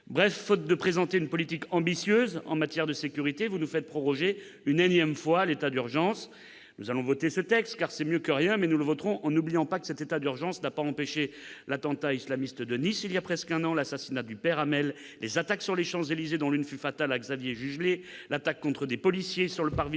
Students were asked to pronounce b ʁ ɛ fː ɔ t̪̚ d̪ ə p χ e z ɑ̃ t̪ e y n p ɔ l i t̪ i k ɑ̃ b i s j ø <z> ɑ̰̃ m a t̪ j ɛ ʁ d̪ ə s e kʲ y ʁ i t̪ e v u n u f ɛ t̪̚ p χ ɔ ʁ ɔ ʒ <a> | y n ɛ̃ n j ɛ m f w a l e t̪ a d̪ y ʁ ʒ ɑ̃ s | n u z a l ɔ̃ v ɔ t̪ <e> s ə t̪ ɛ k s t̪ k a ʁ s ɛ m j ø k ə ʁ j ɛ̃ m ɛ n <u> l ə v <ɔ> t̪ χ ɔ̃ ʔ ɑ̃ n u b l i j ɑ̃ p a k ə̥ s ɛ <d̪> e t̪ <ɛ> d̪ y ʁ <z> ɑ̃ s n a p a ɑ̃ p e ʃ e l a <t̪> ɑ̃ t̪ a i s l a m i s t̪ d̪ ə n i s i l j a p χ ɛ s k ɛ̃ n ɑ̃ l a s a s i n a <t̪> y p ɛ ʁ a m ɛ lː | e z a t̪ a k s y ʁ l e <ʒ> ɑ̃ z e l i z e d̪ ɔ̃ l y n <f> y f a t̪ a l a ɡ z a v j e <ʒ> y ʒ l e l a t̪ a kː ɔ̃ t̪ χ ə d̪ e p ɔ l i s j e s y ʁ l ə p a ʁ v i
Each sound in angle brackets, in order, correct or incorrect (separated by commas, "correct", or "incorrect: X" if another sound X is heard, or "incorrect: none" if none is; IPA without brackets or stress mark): correct, incorrect: e, correct, correct, correct, incorrect: t̪, incorrect: a, incorrect: ʒ, correct, incorrect: d̪, incorrect: ʃ, correct, correct